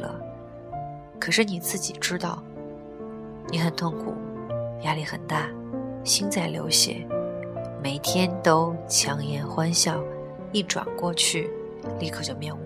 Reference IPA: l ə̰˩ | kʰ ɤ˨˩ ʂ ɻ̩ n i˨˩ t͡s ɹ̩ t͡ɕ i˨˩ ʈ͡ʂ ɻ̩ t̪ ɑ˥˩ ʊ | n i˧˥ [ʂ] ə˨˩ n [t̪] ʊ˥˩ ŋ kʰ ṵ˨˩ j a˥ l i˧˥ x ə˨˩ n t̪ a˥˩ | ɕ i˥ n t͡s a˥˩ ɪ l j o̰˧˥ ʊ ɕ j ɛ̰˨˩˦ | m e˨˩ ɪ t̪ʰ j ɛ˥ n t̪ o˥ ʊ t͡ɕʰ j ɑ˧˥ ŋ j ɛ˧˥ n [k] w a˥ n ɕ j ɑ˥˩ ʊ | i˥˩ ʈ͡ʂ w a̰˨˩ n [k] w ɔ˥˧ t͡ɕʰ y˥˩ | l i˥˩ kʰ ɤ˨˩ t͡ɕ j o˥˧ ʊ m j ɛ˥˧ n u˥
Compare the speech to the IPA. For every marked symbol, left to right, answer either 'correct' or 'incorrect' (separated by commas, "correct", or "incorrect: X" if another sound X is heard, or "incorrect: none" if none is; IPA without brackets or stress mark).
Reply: incorrect: x, incorrect: t̪ʰ, incorrect: x, correct